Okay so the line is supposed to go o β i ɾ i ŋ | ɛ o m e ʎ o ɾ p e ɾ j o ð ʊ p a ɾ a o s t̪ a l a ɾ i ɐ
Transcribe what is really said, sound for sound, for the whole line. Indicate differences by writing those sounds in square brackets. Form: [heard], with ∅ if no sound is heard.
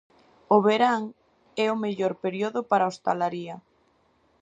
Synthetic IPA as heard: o β [e] ɾ [a] ŋ | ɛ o m e ʎ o ɾ p e ɾ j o ð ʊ p a ɾ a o s t̪ a l a ɾ i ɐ